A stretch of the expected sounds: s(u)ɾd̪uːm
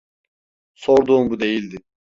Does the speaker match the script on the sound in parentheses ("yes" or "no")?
no